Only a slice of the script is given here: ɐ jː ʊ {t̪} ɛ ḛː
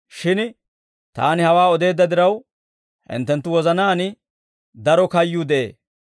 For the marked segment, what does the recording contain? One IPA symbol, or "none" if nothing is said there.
d̪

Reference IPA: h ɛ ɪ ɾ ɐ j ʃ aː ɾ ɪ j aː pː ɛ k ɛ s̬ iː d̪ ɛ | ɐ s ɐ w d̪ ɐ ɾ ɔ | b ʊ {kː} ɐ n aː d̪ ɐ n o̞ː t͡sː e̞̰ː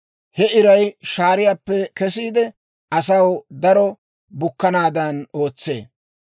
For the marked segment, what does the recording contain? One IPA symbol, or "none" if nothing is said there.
kː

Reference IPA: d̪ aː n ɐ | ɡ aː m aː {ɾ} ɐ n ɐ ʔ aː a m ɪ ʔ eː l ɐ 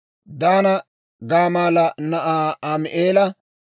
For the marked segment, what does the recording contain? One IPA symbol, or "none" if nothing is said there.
l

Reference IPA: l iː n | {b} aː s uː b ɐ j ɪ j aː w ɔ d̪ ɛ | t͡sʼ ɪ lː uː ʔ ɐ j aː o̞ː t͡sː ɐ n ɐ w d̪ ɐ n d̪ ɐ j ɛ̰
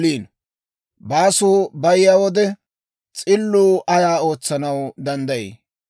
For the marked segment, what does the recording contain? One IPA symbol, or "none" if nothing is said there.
b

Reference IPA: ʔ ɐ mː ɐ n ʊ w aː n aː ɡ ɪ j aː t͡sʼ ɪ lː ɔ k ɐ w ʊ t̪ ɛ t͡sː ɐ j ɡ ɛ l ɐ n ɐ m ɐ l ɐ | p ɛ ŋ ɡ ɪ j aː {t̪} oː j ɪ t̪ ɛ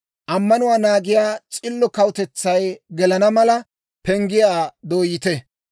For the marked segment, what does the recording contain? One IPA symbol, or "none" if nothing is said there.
d̪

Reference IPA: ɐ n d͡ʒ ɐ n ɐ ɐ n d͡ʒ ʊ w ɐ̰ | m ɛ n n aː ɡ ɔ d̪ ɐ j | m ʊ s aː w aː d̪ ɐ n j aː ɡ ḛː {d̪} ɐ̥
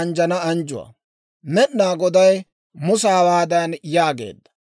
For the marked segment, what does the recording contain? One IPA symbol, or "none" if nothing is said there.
d̪ː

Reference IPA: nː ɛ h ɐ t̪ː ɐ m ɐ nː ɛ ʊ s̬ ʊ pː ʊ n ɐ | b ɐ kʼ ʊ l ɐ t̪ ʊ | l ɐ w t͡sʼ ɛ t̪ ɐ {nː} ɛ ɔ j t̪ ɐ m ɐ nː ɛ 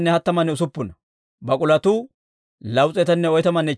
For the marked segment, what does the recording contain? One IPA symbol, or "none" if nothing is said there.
nː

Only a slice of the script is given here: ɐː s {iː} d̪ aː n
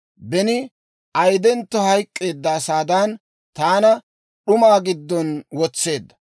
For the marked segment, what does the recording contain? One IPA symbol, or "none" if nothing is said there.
aː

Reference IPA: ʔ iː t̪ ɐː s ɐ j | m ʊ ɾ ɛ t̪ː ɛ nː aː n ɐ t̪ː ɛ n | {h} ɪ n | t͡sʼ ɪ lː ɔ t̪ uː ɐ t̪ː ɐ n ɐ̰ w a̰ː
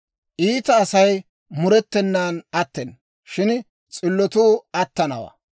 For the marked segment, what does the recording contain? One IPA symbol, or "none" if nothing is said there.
ʃ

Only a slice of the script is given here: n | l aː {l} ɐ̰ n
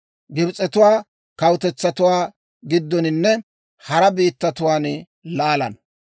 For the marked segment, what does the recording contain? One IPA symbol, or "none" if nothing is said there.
l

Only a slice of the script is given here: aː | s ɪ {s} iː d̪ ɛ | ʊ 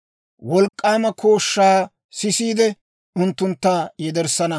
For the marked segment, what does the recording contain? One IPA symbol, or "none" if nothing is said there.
s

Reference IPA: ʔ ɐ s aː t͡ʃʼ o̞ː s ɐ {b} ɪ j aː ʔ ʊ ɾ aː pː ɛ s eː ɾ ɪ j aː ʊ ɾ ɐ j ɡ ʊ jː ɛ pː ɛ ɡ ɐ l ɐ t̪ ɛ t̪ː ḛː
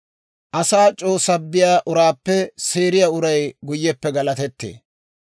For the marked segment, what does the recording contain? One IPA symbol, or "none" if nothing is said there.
bː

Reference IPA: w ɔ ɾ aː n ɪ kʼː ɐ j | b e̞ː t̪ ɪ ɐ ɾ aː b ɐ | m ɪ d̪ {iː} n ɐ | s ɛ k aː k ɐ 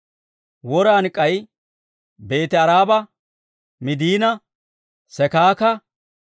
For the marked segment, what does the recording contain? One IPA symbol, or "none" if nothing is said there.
iː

